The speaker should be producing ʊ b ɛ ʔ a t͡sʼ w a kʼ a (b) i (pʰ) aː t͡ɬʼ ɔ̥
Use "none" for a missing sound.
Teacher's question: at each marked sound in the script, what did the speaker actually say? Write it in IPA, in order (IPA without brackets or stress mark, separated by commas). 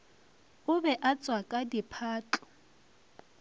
d, pʰ